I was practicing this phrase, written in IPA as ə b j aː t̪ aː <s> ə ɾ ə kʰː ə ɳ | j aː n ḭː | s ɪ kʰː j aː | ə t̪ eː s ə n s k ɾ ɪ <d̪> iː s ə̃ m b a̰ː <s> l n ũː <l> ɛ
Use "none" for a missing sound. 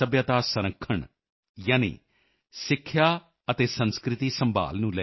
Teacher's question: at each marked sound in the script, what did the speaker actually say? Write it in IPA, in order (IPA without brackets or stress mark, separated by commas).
s, t̪, none, l